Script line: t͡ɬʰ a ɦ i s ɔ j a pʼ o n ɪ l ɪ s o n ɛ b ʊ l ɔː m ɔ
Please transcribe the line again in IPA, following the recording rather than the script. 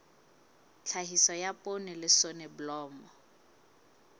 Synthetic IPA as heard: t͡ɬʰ a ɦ i s ɔ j a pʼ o n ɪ l ɪ s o n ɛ b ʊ l ɔː m ɔ